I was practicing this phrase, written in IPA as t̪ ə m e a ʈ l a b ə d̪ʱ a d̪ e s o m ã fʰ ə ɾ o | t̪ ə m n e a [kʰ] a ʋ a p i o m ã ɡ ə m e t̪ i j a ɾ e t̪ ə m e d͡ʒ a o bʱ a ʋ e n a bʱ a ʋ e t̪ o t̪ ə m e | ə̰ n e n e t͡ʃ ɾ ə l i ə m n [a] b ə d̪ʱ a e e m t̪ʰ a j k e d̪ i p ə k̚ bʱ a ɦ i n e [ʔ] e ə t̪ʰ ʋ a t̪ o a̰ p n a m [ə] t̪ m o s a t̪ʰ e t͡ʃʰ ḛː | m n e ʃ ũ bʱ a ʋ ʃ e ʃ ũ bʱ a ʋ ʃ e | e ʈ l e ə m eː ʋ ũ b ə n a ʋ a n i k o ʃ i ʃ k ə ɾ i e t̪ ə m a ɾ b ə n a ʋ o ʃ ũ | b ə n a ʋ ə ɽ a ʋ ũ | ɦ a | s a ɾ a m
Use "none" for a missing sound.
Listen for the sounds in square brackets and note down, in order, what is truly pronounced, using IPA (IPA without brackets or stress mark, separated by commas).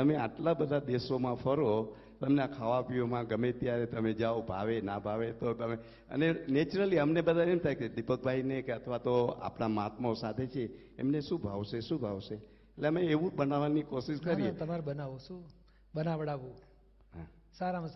kʰ, e, k, a